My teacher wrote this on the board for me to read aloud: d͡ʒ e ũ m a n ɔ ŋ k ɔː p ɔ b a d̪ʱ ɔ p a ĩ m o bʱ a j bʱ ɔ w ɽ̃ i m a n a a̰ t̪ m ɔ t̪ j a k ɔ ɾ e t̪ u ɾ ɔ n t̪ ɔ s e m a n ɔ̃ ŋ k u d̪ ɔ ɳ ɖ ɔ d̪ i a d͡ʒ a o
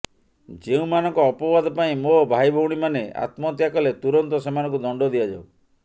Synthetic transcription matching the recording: d͡ʒ e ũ m a n ɔ ŋ k ɔː p ɔ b a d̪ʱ ɔ p a ĩ m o bʱ a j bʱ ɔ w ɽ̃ i m a n e a̰ t̪ m ɔ t̪ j a k ɔ l e t̪ u ɾ ɔ n t̪ ɔ s e m a n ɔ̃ ŋ k u d̪ ɔ ɳ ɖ ɔ d̪ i a d͡ʒ a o